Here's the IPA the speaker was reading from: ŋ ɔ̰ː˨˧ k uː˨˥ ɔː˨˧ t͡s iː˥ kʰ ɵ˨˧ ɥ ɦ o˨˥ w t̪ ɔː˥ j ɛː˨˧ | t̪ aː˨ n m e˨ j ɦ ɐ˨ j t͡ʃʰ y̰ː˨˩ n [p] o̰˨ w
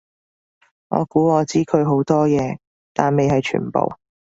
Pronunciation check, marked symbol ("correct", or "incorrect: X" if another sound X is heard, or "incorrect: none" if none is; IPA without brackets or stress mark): correct